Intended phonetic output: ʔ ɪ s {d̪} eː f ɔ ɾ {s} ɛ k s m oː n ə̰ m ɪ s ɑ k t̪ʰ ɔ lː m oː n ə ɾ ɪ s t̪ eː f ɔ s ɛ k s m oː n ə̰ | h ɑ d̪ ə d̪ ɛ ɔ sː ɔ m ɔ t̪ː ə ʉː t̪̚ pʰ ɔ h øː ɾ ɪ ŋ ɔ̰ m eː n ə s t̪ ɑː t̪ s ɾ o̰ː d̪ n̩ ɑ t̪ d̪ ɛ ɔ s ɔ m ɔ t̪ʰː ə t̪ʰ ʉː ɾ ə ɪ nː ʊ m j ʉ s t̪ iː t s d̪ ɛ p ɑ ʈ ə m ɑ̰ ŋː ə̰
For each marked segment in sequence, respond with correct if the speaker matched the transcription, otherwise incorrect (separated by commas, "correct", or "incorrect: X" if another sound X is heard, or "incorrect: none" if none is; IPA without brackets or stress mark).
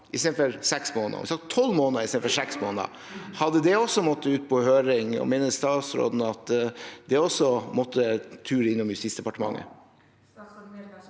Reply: incorrect: t̪, correct